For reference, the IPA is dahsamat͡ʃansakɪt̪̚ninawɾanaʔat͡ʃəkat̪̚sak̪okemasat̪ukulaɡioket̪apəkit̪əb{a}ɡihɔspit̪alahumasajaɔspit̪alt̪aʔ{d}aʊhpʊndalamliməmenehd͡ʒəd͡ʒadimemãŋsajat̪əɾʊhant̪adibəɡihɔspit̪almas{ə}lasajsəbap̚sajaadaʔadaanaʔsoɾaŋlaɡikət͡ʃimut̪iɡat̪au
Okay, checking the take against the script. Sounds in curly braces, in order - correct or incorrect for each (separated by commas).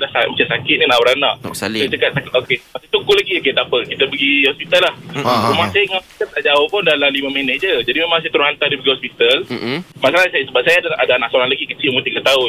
incorrect, incorrect, incorrect